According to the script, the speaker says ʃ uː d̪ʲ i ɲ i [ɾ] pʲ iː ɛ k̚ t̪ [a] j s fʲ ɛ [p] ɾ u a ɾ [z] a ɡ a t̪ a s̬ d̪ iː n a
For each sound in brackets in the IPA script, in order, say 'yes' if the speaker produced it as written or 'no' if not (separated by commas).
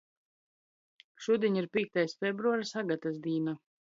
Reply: yes, yes, no, no